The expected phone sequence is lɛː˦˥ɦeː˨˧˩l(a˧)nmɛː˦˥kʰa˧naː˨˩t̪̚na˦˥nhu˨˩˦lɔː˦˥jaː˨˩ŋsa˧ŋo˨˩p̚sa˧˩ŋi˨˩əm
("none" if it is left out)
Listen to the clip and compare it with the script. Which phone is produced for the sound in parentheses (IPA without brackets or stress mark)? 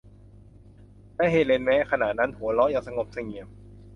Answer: e˧